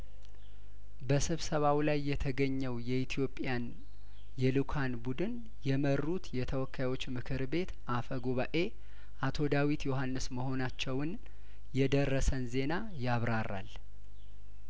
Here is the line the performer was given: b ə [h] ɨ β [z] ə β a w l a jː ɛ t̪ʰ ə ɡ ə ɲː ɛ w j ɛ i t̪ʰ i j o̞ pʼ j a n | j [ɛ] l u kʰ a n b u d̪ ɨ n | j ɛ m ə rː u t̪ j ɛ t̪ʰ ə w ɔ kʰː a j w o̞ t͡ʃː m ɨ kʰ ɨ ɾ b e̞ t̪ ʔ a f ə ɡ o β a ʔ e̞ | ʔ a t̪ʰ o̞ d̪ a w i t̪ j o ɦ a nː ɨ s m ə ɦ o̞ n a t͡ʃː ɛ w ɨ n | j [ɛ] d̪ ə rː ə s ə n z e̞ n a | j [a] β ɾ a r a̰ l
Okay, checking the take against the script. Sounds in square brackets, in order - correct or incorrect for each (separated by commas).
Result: incorrect, incorrect, correct, correct, correct